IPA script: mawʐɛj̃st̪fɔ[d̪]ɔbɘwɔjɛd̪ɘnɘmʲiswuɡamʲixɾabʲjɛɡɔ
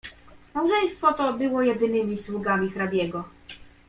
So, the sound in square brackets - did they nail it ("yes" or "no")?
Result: no